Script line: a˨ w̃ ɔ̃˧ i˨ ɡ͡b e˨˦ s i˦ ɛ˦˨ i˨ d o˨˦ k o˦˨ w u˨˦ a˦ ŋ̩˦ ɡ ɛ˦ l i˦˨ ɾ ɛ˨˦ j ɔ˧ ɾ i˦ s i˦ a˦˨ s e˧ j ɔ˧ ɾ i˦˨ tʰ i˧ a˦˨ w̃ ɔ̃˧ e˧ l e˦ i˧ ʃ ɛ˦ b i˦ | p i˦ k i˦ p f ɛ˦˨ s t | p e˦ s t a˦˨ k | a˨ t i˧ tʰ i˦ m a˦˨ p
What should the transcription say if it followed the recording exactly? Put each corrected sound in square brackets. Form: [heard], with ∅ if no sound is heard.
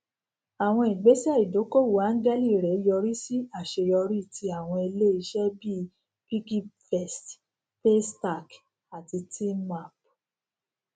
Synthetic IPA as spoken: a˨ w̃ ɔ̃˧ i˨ ɡ͡b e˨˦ s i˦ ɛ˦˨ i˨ d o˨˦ k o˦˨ w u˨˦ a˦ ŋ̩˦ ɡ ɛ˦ l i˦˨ ɾ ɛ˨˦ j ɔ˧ ɾ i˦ s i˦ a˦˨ [ʃ] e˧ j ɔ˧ ɾ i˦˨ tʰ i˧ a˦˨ w̃ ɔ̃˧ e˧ l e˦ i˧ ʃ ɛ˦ b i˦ | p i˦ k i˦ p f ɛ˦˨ s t | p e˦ s t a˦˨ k | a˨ t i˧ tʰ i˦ m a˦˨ p